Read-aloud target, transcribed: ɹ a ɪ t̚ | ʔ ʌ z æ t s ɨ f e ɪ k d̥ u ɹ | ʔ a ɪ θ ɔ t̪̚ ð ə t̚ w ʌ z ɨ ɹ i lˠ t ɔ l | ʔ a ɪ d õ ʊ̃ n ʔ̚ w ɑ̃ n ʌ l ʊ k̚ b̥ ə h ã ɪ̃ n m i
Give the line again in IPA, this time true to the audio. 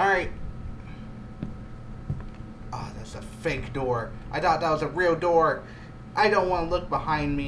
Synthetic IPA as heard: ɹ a ɪ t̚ | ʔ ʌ ð æ t s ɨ f e ɪ k d̥ ɔ ɹ | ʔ a ɪ θ ɔ t̪̚ ð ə t̚ w ʌ z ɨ ɹ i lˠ d ɔ ɹ | ʔ a ɪ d õ ʊ̃ n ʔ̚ w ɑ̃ n ə l ʊ k̚ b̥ ə h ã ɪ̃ n m i

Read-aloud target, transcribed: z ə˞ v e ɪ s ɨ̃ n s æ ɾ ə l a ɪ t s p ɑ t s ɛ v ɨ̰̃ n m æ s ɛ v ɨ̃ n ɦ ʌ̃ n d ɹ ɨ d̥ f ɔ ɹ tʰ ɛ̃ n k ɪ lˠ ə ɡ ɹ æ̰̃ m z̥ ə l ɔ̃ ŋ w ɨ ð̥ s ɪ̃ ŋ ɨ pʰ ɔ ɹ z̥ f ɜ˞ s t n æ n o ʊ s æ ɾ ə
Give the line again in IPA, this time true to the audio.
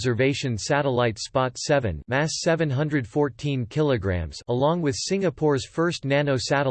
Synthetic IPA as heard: z ə˞ v e ɪ ʃ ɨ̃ n s æ ɾ ə l a ɪ t s p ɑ t s ɛ v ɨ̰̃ n m æ s ɛ v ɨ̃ n ɦ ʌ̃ n d ɹ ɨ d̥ f ɔ ɹ tʰ ĩ n kʰ ɪ lˠ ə ɡ ɹ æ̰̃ m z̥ ə l ɔ̃ ŋ w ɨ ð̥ s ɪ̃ ŋ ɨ pʰ ɔ ɹ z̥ f ɜ˞ s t n æ n o ʊ s æ ɾ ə

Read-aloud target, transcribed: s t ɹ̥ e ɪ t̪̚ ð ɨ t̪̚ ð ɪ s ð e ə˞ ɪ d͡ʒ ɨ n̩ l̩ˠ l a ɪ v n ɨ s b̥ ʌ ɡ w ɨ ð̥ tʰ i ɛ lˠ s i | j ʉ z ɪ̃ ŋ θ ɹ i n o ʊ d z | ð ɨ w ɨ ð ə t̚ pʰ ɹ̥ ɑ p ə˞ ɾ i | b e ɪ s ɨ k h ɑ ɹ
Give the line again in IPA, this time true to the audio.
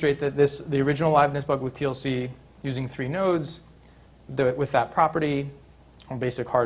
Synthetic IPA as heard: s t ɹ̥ e ɪ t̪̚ ð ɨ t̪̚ ð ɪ s ð i ə˞ ɪ d͡ʒ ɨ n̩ l̩ˠ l a ɪ v n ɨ s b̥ ʌ ɡ w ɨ ð̥ tʰ i ɛ lˠ s i | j ʉ z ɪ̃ ŋ θ ɹ i n o ʊ d z | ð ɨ w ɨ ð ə t̚ pʰ ɹ̥ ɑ p ə˞ ɾ i | b e ɪ s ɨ k h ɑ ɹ

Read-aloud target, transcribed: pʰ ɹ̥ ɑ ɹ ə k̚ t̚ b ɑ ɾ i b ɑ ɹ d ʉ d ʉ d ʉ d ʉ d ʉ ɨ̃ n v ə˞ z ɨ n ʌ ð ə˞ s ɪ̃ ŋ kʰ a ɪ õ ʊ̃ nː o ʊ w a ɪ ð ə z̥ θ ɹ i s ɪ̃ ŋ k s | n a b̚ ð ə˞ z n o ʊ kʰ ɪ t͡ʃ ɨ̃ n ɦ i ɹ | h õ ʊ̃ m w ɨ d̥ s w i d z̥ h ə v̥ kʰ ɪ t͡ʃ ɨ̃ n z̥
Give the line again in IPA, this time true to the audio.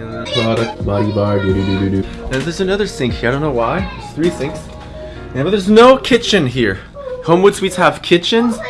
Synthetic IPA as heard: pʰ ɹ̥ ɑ ɾ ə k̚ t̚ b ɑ ɾ i b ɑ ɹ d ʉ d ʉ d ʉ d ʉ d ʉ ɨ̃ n ð ə˞ z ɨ n ʌ ð ə˞ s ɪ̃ ŋ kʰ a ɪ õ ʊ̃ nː o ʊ w a ɪ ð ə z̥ θ ɹ i s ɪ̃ ŋ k s | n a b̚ ð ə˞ z n o ʊ kʰ ɪ t͡ʃ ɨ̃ n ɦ i ɹ | h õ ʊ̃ m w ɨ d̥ s w i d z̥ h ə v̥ kʰ ɪ t͡ʃ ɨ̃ n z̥

